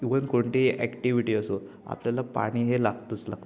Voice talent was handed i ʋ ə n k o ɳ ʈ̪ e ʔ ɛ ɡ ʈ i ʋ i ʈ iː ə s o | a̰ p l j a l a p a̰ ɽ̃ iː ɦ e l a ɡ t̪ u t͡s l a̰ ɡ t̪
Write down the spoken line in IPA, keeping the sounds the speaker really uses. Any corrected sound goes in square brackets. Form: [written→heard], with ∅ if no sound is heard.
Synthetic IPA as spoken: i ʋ ə n k o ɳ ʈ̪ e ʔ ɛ [ɡ→k] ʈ i ʋ i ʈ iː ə s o | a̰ p l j a l a p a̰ ɽ̃ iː ɦ e l a ɡ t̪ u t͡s l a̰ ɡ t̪